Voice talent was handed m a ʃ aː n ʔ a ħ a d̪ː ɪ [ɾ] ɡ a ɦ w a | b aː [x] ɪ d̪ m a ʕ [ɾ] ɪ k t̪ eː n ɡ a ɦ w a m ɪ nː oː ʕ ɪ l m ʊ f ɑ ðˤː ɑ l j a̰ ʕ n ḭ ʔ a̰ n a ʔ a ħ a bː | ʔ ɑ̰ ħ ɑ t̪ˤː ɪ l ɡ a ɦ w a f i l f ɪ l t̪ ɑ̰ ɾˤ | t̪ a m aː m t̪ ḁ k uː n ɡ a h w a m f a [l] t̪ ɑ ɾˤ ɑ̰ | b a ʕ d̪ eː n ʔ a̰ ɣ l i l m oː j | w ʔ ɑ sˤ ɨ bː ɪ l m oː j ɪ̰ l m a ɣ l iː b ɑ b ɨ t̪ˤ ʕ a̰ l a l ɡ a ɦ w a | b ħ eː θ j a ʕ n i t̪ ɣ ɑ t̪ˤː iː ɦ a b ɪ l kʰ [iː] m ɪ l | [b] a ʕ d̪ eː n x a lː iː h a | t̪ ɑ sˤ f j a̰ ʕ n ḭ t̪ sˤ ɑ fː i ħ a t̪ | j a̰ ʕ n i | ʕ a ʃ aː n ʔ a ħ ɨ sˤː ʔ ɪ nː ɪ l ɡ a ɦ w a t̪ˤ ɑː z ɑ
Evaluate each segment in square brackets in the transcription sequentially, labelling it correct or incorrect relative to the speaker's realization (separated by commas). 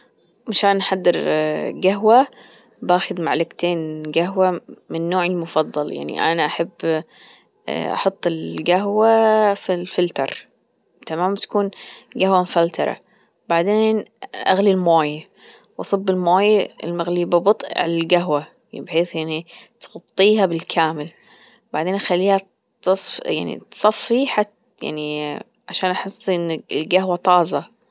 correct, correct, incorrect, correct, incorrect, correct